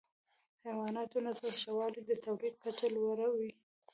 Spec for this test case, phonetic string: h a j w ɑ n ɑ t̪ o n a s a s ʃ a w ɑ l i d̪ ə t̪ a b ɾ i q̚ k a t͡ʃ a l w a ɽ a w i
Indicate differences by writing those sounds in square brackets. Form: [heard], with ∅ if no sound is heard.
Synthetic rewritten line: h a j w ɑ n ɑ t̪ o n a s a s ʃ a w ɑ l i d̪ ə t̪ a [w] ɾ i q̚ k a t͡ʃ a l w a [ɾ] a w i